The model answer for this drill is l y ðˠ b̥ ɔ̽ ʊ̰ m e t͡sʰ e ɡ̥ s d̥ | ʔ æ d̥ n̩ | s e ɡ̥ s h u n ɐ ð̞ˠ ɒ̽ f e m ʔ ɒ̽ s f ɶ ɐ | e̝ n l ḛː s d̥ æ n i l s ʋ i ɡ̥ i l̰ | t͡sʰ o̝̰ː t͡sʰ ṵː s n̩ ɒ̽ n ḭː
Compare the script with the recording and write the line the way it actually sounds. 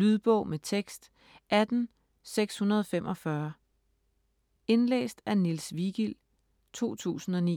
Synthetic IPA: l y ðˠ b̥ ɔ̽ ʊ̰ m e t͡sʰ e ɡ̥ s d̥ | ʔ æ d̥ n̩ | s e ɡ̥ s h u n ɐ ð̞ˠ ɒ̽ f e m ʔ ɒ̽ f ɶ ɐ | e̝ n l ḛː s d̥ æ n i l s ʋ i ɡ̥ i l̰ | t͡sʰ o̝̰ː t͡sʰ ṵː s n̩ ɒ̽ n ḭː